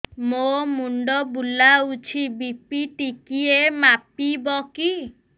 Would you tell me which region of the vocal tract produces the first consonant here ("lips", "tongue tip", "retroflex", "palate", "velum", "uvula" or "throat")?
lips